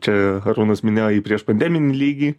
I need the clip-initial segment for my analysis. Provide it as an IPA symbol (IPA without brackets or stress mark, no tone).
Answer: t͡ʃʲ